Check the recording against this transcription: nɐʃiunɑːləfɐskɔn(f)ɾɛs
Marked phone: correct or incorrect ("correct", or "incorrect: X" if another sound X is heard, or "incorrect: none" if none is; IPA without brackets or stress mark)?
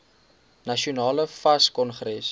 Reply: incorrect: χ